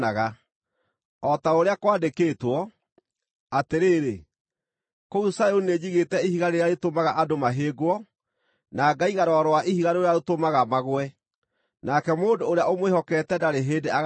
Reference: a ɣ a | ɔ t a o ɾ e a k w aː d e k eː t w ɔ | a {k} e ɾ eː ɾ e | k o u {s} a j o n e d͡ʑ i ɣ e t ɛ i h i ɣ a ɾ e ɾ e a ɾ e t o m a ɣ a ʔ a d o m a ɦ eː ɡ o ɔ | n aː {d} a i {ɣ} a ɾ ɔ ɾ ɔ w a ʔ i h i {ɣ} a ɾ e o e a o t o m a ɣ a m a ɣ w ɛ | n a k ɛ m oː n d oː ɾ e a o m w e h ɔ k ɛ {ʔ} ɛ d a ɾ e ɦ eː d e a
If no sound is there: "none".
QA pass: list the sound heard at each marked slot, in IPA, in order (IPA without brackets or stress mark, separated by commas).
t, s, ɡ, ɣ, ɣ, t